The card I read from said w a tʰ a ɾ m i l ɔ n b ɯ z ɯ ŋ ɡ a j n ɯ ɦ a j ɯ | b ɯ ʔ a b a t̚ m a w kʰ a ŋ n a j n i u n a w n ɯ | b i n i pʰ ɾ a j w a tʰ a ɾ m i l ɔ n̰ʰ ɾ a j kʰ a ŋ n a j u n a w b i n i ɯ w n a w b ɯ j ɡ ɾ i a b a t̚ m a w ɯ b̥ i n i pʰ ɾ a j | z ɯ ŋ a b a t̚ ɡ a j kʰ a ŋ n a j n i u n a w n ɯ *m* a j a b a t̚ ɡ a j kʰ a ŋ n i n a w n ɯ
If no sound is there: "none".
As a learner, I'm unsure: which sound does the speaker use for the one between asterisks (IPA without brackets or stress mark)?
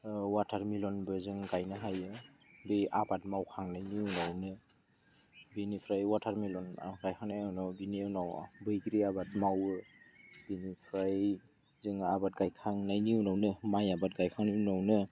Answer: m